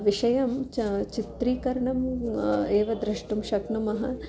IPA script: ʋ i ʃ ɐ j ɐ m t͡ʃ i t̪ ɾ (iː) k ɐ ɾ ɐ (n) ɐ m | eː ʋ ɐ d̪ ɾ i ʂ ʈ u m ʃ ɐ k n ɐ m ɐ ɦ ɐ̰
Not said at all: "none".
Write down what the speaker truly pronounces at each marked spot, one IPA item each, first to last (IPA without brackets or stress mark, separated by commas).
iː, ɳ